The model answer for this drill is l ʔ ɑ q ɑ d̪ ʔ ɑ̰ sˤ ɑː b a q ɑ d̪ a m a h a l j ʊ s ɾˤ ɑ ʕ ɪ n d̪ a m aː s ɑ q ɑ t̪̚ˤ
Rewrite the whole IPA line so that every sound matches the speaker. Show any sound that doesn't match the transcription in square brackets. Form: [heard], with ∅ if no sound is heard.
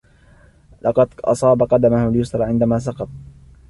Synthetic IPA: l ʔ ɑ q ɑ d̪ ʔ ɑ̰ sˤ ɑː b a q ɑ d̪ a m a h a l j ʊ s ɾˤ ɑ ʕ ɪ n d̪ a m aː s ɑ q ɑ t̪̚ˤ